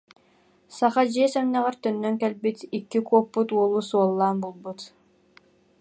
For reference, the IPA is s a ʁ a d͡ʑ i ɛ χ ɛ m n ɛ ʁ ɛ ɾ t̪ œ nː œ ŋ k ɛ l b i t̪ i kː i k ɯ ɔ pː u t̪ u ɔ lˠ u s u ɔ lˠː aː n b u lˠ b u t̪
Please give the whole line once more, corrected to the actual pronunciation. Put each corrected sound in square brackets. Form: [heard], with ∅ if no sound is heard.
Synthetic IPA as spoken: s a [χ] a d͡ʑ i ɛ [s] ɛ m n ɛ ʁ ɛ ɾ t̪ œ nː œ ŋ k ɛ l b i t̪ i kː i k [u] ɔ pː u t̪ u ɔ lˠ u s u ɔ lˠː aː n b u lˠ b u t̪